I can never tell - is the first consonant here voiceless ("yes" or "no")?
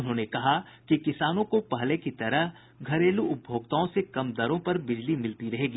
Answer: no